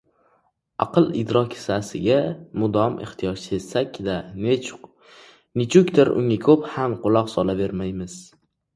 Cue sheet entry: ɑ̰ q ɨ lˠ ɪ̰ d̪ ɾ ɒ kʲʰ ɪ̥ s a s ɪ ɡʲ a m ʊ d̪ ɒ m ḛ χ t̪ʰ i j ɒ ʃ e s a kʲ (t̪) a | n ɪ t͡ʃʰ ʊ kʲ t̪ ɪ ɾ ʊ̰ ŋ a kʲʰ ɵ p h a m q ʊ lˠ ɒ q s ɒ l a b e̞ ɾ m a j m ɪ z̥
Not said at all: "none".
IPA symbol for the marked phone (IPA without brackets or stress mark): d̪